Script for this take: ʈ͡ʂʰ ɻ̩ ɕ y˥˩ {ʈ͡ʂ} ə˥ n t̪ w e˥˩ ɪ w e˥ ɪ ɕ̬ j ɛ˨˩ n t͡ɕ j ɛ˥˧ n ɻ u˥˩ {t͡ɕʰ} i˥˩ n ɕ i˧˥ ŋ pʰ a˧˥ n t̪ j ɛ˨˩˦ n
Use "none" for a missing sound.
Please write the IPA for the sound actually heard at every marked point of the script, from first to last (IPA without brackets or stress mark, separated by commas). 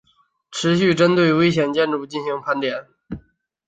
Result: ʈ͡ʂ, t͡ɕ